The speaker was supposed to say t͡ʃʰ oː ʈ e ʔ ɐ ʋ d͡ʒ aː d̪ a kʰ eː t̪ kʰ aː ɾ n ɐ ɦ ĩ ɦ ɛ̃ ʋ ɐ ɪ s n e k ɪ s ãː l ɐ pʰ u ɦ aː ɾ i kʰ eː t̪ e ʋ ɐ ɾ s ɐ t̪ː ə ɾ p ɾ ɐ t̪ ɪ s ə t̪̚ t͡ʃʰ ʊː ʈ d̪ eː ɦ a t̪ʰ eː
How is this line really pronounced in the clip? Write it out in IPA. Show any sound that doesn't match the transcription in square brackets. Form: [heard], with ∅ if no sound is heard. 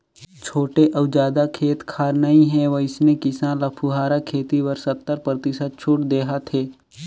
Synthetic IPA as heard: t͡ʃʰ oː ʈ e ʔ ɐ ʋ d͡ʒ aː d̪ a kʰ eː t̪ kʰ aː ɾ n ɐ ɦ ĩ ɦ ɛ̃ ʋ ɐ ɪ s n e k ɪ s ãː l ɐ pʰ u ɦ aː ɾ [a] kʰ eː t̪ [i] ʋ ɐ ɾ s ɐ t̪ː ə ɾ p ɾ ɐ t̪ ɪ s ə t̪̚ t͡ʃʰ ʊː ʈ d̪ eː ɦ a t̪ʰ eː

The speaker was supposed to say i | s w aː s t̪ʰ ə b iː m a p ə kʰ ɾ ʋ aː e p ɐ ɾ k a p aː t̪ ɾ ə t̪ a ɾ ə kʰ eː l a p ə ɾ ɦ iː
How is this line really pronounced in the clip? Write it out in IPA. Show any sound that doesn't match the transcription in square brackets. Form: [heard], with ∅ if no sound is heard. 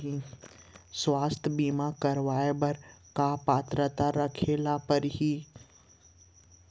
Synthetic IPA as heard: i | s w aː s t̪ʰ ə b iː m a [k] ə [∅] ɾ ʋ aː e [b] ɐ ɾ k a p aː t̪ ɾ ə t̪ a ɾ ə kʰ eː l a p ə ɾ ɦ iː

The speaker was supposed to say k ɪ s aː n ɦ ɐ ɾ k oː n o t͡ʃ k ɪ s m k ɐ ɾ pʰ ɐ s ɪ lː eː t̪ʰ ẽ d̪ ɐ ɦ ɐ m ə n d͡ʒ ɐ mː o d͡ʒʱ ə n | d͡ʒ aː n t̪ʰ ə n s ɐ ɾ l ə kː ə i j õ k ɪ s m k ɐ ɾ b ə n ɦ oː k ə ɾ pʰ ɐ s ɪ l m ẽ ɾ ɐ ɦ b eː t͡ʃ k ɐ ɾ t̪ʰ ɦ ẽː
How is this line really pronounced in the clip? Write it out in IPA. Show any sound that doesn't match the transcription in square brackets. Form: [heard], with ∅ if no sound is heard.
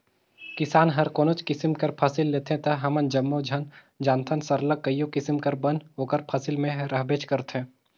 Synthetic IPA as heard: k ɪ s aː n ɦ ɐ ɾ k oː n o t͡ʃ k ɪ s m k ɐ ɾ pʰ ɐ s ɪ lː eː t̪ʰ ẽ [t̪] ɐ ɦ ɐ m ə n d͡ʒ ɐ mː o d͡ʒʱ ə n | d͡ʒ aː n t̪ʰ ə n s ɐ ɾ l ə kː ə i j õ k ɪ s m k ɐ ɾ b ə n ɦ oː k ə ɾ pʰ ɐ s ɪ l m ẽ ɾ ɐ ɦ b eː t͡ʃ k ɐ ɾ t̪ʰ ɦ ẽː

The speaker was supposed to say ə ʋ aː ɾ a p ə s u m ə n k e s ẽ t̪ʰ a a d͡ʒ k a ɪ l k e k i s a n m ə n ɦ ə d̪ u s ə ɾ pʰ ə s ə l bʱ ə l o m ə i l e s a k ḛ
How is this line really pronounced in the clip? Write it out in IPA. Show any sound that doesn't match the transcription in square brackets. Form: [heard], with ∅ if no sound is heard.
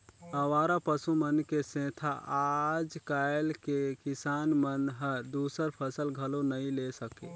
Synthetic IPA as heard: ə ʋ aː ɾ a p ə s u m ə n k e s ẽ t̪ʰ a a d͡ʒ k a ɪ l k e k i s a n m ə n ɦ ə d̪ u s ə ɾ pʰ ə s ə l [ɡʱ] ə l o [n] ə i l e s [ə] k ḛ

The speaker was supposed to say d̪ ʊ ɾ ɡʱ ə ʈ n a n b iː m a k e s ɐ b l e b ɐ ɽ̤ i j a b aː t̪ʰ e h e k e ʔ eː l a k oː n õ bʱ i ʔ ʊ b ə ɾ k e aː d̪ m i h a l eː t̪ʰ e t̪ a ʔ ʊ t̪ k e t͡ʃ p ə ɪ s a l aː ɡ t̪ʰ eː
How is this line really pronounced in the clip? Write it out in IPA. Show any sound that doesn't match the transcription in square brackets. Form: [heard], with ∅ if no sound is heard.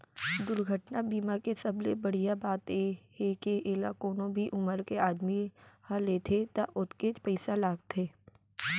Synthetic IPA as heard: d̪ ʊ ɾ ɡʱ ə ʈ n a [∅] b iː m a k e s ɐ b l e b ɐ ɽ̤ i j a b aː [t̪] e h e k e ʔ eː l a k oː n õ bʱ i ʔ ʊ [m] ə ɾ k e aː d̪ m i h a l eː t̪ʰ e t̪ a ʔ ʊ t̪ k e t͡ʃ p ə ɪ s a l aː ɡ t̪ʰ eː

